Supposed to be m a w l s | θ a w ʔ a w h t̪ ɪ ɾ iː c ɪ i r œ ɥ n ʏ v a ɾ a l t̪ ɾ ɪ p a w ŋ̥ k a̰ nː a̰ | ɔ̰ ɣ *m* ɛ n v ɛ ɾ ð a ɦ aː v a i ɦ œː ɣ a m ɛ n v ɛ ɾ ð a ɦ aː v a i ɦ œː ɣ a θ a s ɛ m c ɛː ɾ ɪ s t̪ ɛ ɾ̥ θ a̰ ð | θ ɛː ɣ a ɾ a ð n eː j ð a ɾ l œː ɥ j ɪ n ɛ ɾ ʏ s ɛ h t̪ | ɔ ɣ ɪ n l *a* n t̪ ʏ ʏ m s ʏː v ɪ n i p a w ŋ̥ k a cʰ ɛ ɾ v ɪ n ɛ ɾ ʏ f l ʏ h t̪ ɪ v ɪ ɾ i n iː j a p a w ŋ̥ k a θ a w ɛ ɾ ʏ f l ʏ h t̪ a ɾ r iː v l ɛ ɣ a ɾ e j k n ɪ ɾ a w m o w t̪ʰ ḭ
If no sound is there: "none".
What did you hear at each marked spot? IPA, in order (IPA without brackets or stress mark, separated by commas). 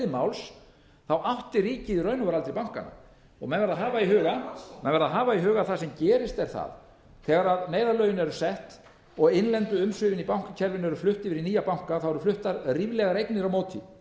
m, ɛ